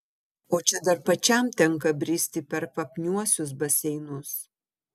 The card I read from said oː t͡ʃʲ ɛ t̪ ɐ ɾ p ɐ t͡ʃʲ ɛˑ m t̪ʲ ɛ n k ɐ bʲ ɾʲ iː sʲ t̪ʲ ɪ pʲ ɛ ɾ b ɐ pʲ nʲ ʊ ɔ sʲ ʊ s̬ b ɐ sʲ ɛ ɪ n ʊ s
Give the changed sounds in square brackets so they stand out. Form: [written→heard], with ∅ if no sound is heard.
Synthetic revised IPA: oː t͡ʃʲ ɛ [t̪→d̪] ɐ ɾ p ɐ t͡ʃʲ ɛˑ m t̪ʲ ɛ [n→ŋ] k ɐ bʲ ɾʲ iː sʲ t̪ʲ ɪ pʲ ɛ ɾ [b→p] ɐ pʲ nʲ [ʊ→u] ɔ sʲ ʊ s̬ b ɐ sʲ ɛ ɪ n ʊ s